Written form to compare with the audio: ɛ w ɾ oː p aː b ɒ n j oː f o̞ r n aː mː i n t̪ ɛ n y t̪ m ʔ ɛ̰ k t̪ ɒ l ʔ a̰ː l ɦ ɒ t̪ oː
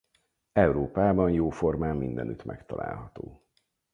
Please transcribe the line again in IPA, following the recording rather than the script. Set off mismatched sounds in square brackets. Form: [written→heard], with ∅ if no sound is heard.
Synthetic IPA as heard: ɛ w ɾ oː p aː b ɒ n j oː f o̞ r [n→m] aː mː i n [t̪→d̪] ɛ n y t̪ m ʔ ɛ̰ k t̪ ɒ l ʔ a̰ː l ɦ ɒ t̪ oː